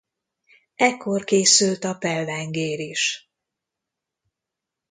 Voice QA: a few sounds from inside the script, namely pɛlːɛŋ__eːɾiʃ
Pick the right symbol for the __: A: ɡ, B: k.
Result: A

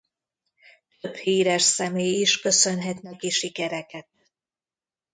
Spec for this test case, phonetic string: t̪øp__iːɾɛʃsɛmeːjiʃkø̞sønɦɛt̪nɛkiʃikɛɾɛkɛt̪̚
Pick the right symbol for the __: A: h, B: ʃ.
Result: A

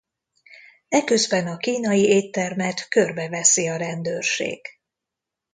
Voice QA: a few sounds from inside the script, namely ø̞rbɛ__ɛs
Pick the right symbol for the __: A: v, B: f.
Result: A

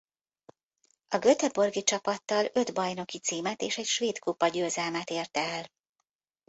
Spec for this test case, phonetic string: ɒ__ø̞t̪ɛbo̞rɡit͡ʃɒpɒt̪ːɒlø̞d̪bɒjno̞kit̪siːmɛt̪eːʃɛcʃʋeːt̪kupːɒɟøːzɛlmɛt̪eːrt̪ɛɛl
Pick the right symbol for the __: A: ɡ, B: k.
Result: A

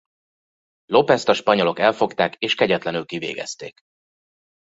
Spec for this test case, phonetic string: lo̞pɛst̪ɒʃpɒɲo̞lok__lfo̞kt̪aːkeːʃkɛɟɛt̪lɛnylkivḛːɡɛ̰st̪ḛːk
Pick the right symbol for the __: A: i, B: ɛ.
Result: B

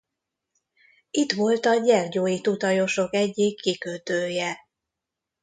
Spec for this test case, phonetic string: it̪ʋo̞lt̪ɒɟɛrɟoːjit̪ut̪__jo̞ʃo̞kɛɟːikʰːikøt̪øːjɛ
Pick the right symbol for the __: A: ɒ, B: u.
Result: A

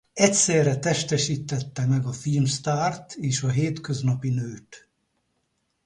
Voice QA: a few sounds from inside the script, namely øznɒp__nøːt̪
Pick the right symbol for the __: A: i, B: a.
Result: A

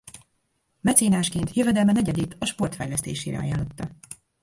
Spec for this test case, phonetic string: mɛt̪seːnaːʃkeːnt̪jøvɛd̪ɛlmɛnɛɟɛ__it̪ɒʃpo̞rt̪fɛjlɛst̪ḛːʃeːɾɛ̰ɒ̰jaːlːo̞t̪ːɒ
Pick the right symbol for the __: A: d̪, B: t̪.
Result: A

